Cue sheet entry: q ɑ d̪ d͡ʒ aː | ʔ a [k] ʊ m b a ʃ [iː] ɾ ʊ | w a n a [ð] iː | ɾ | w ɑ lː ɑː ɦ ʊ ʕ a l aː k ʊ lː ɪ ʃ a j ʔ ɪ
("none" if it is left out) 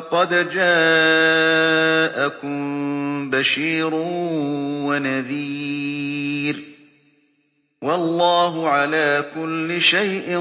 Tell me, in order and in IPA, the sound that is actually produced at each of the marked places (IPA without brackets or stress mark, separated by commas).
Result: k, iː, ð